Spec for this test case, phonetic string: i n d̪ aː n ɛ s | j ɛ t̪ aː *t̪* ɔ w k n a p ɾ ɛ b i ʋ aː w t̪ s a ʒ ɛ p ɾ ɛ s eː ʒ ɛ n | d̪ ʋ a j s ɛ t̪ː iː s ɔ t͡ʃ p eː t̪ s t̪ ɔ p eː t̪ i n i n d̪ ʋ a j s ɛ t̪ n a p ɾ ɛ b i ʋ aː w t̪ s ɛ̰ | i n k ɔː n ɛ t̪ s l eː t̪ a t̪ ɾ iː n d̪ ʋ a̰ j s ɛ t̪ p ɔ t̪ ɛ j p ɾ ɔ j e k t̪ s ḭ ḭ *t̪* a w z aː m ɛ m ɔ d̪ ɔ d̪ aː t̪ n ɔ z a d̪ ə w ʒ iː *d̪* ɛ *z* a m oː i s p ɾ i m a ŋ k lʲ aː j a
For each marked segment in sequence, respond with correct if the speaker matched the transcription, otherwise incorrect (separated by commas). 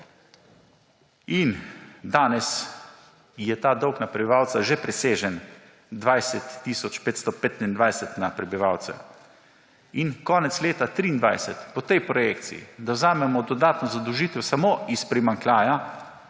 incorrect, incorrect, incorrect, incorrect